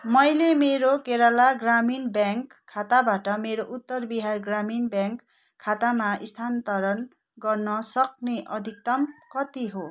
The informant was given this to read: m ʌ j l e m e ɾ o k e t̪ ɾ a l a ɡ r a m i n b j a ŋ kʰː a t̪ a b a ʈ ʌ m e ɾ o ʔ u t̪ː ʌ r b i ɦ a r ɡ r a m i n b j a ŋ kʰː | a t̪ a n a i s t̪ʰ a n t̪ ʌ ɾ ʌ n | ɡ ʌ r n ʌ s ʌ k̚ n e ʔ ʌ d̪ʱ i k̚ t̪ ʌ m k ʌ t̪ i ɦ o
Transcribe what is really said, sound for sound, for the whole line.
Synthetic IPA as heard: m ʌ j l e m e ɾ o k e ɾ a l a ɡ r a m i n b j a ŋ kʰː a t̪ a b a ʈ ʌ m e ɾ o ʔ u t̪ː ʌ r b i ɦ a r ɡ r a m i n b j a ŋ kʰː | a t̪ a m a i s t̪ʰ a n t̪ ʌ ɾ ʌ n | ɡ ʌ r n ʌ s ʌ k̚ n e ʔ ʌ d̪ʱ i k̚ t̪ ʌ m k ʌ t̪ i ɦ o